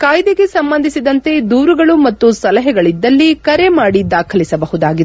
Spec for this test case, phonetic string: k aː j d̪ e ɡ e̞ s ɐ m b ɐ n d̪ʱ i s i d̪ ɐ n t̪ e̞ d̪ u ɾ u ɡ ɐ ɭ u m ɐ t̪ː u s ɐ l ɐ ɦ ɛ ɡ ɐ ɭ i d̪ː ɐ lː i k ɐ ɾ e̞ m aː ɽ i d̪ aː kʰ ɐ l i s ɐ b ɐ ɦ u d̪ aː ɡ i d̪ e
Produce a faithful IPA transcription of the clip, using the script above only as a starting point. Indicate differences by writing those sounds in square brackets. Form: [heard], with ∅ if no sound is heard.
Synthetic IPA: k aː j d̪ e ɡ e̞ s ɐ m b ɐ n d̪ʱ i s i d̪ ɐ n t̪ e̞ d̪ [uː] ɾ u ɡ ɐ ɭ u m ɐ t̪ː u s ɐ l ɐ ɦ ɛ ɡ ɐ ɭ i d̪ː ɐ lː i k ɐ ɾ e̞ m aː ɽ i d̪ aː kʰ ɐ l i s ɐ b ɐ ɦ u d̪ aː ɡ i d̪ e